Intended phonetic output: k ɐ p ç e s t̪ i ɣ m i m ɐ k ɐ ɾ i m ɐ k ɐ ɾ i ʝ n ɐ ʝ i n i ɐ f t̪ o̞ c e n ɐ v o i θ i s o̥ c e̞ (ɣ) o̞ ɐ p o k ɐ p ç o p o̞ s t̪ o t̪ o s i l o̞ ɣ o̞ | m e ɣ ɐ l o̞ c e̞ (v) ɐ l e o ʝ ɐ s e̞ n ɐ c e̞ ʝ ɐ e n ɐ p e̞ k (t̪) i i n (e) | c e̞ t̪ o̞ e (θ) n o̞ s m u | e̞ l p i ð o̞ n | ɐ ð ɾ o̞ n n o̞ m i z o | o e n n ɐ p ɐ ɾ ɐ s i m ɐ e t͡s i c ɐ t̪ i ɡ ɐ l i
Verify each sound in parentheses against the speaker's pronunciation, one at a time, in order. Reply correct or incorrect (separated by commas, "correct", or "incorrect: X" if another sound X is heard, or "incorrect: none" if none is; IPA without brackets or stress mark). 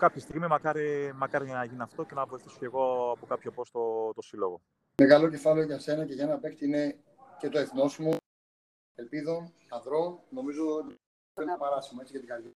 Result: correct, incorrect: f, correct, correct, correct